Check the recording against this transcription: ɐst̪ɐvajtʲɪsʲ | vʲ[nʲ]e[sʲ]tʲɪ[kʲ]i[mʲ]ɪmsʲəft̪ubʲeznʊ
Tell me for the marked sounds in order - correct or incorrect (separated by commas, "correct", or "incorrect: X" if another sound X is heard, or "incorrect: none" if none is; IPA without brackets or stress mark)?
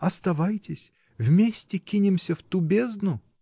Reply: incorrect: mʲ, correct, correct, incorrect: nʲ